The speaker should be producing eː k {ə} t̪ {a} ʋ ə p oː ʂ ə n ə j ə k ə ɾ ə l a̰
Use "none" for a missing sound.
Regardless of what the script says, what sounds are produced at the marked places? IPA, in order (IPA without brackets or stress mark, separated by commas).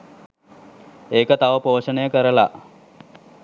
ə, a